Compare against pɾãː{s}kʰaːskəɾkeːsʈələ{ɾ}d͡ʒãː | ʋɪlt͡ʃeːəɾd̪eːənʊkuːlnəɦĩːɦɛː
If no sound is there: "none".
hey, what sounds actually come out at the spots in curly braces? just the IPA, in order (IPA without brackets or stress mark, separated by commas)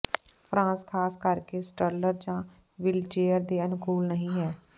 s, ɾ